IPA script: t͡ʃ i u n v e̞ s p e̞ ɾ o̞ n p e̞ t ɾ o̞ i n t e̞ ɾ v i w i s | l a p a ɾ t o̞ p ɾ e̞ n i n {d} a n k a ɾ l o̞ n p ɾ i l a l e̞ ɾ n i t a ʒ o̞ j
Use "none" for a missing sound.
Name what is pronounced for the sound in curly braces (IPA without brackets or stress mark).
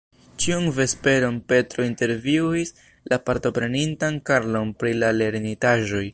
t